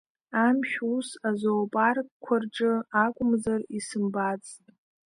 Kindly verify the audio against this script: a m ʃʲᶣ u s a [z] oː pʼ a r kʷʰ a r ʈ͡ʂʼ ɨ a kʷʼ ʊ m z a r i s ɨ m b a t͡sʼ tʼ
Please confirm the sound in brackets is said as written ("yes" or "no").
yes